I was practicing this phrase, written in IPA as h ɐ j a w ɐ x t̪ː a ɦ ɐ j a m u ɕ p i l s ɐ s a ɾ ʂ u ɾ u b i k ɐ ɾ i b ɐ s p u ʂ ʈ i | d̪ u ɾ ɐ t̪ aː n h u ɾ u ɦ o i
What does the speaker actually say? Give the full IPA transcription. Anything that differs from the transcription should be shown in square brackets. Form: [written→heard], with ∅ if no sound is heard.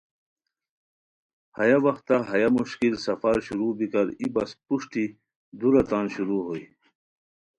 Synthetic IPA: h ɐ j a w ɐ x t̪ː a ɦ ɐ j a m u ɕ [p→k] i l s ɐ [s→f] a ɾ [ʂ→ɕ] u ɾ u b i k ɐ ɾ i b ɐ s p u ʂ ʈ i | d̪ u ɾ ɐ t̪ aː n [h→ɕ] u ɾ u ɦ o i